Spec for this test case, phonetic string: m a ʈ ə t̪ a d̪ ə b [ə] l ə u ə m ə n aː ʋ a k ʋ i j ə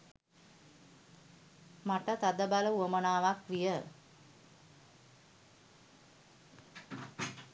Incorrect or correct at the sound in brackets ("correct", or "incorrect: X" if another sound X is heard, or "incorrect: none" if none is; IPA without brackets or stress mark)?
incorrect: a